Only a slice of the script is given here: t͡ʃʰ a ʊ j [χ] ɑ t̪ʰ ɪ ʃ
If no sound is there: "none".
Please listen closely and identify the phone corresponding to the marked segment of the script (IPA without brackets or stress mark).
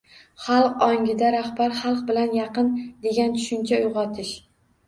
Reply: ʁ